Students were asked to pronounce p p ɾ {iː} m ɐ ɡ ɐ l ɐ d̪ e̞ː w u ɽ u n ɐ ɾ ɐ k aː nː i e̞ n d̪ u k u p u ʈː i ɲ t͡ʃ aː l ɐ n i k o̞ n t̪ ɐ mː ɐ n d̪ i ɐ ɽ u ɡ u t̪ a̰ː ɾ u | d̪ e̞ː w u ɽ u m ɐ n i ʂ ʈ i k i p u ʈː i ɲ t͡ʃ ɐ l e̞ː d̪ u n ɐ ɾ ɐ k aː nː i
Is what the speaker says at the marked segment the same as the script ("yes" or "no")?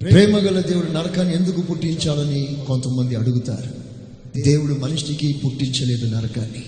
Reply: no